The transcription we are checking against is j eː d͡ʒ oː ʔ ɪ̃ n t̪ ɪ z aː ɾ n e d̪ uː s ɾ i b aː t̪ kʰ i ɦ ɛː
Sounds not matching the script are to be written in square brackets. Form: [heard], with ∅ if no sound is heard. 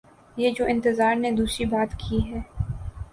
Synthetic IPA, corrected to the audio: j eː d͡ʒ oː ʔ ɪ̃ n t̪ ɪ z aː ɾ n e d̪ uː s ɾ i b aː t̪ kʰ i ɦ ɛː

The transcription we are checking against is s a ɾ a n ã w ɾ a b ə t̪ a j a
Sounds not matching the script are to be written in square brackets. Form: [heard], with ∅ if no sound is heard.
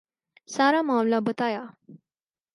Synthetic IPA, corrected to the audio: s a ɾ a [m] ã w [l] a b ə t̪ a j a

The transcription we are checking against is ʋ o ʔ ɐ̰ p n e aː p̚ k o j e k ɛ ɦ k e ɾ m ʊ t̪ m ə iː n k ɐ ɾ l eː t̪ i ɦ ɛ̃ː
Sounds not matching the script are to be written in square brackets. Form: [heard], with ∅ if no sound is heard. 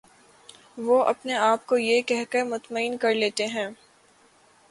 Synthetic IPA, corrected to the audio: ʋ o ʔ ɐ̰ p n e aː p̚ k o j e k ɛ ɦ k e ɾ m ʊ t̪ m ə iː n k ɐ ɾ l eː t̪ [e] ɦ ɛ̃ː

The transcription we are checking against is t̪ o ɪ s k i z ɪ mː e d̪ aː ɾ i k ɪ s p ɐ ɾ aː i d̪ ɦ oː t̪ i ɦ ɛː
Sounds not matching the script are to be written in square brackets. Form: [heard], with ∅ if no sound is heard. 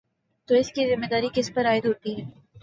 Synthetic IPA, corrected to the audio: t̪ o ɪ s k i z ɪ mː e d̪ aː ɾ i k ɪ s p ɐ ɾ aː [ɪ] d̪ ɦ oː t̪ i ɦ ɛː

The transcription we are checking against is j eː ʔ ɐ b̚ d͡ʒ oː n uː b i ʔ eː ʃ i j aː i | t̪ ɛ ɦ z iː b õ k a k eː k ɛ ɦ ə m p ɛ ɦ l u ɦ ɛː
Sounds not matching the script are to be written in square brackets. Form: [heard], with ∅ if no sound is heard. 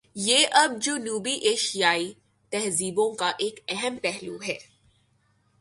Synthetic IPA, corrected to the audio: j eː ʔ ɐ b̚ d͡ʒ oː n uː b i ʔ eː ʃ i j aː i | t̪ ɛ ɦ z iː b õ k a [ʔ] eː k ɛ ɦ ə m p ɛ ɦ l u ɦ ɛː

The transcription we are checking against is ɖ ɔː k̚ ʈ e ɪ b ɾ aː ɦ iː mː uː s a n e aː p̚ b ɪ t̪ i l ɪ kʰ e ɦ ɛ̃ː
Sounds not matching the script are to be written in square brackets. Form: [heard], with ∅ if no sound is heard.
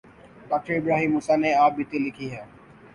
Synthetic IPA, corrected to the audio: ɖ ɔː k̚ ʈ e ɪ b ɾ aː ɦ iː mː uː s a n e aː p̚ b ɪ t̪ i l ɪ kʰ [i] ɦ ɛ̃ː

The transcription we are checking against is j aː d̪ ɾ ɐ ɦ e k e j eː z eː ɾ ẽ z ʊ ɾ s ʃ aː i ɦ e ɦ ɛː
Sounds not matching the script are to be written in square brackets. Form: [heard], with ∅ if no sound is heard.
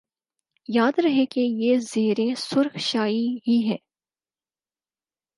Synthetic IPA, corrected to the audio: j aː d̪ ɾ ɐ ɦ e k e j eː z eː ɾ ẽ [s] ʊ ɾ [x] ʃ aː i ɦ [i] ɦ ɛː

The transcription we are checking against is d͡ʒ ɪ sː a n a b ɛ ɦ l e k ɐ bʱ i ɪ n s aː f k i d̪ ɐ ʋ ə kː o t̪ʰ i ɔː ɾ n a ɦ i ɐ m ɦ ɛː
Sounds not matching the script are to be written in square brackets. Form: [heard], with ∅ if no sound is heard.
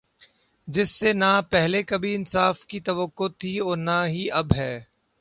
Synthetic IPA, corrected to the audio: d͡ʒ ɪ sː [e] n a [p] ɛ ɦ l e k ɐ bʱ i ɪ n s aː f k i [t̪] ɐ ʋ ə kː o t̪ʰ i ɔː ɾ n a ɦ i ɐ [b] ɦ ɛː

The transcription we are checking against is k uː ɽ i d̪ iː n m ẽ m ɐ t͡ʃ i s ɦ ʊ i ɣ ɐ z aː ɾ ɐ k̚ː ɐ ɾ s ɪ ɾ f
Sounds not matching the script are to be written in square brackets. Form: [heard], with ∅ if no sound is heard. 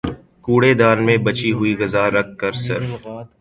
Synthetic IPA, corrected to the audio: k uː ɽ [e] d̪ [aː] n m ẽ [b] ɐ t͡ʃ i [∅] ɦ ʊ i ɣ ɐ z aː ɾ ɐ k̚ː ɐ ɾ s ɪ ɾ f

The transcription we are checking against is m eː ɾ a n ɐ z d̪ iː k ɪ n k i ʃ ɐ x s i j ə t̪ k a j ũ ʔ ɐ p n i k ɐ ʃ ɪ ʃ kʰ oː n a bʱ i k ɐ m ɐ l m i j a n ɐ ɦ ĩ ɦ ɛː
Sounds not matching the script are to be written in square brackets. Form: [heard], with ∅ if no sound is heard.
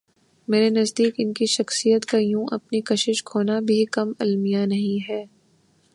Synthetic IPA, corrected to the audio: m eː ɾ [e] n ɐ z d̪ iː k ɪ n k i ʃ ɐ x s i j ə t̪ k a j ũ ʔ ɐ p n i k ɐ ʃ ɪ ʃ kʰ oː n a bʱ i k ɐ m ɐ l m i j a n ɐ ɦ ĩ ɦ ɛː

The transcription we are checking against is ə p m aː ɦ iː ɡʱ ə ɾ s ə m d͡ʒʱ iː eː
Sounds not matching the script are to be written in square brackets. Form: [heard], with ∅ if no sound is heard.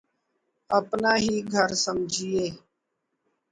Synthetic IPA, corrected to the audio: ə p [n] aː ɦ iː ɡʱ ə ɾ s ə m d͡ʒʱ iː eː

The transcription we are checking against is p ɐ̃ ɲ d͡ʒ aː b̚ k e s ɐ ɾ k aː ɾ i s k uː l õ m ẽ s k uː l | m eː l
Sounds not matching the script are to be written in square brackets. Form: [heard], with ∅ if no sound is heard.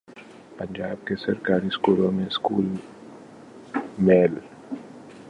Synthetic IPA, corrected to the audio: p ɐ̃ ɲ d͡ʒ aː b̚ k e s ɐ ɾ k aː ɾ i s k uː l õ m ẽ s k uː l | m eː l

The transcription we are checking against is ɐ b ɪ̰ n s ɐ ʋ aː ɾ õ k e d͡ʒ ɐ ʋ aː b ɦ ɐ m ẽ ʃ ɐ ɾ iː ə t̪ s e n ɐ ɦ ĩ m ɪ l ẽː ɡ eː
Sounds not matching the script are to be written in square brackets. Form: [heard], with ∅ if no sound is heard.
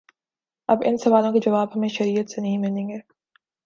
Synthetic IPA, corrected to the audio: ɐ b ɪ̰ n s ɐ ʋ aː [l] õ k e d͡ʒ ɐ ʋ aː b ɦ ɐ m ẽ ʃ ɐ ɾ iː ə t̪ s e n ɐ ɦ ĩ m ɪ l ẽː ɡ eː

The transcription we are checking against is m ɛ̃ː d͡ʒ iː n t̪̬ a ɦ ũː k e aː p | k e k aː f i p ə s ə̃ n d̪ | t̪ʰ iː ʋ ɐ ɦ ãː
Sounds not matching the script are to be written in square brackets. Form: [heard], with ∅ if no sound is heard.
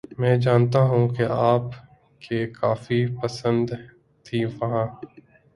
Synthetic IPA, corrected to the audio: m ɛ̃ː d͡ʒ [aː] n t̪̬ a ɦ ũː k e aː p | k e k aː f i p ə s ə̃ n d̪ | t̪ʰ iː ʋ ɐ ɦ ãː

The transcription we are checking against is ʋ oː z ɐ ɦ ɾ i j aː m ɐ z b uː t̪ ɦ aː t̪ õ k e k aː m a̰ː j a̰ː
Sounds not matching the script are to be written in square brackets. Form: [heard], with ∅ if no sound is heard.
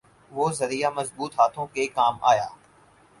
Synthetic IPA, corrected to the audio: ʋ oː z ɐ [∅] ɾ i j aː m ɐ z b uː t̪ ɦ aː [t̪ʰ] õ k e k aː m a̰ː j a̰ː

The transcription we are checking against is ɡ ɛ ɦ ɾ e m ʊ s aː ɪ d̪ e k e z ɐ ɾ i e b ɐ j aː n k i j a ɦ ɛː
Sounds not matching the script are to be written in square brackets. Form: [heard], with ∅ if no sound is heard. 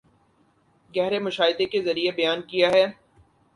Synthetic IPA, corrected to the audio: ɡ ɛ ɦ ɾ e m ʊ [ʃ] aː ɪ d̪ e k e z ɐ ɾ i e b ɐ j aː n k i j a ɦ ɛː

